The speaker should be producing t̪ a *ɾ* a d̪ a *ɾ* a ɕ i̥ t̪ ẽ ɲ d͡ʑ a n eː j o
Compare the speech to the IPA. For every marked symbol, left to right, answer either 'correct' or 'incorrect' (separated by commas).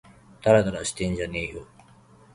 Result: correct, correct